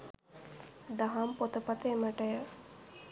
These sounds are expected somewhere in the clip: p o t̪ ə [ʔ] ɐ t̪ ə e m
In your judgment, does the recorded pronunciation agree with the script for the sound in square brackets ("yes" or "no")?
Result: no